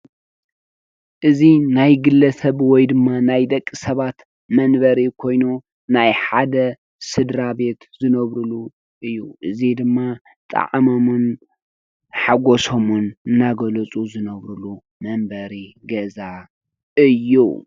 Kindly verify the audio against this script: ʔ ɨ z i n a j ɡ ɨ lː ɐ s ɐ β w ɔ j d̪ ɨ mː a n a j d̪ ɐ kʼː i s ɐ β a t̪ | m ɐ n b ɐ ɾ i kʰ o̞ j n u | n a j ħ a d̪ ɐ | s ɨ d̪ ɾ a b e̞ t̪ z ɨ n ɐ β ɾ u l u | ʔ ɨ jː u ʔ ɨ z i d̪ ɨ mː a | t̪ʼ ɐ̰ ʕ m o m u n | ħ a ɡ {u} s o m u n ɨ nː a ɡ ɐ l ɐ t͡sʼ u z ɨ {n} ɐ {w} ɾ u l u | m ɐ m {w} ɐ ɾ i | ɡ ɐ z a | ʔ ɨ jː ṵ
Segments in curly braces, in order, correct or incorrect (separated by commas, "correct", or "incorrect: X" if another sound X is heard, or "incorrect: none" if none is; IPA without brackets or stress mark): incorrect: o, correct, incorrect: β, incorrect: b